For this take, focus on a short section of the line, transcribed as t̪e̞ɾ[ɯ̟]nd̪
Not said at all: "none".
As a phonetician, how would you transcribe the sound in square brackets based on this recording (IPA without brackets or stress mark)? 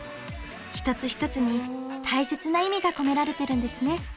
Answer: ɯ̟̃